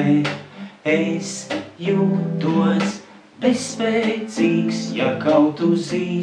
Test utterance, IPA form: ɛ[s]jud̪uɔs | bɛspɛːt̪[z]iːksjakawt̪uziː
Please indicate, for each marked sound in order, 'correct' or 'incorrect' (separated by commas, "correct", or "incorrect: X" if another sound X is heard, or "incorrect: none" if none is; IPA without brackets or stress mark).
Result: correct, incorrect: s